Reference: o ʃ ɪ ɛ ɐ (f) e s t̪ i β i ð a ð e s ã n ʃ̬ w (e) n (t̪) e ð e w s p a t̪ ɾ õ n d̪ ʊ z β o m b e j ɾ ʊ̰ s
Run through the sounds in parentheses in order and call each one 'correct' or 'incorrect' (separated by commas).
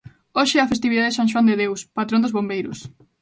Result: correct, incorrect, incorrect